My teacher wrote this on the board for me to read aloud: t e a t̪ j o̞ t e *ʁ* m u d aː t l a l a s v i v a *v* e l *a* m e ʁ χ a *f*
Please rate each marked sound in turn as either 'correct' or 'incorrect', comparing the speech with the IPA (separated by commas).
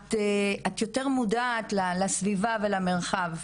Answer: correct, correct, correct, incorrect